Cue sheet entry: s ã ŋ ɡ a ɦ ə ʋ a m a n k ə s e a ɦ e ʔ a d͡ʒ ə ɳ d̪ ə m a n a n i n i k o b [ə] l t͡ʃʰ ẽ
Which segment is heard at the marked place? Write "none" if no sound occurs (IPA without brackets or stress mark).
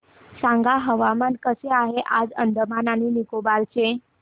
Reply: a